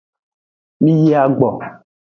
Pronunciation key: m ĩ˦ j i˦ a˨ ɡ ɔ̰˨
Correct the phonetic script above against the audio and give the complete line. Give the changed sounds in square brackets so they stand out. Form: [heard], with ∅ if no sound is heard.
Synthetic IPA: m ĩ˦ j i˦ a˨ [ɡ͡b] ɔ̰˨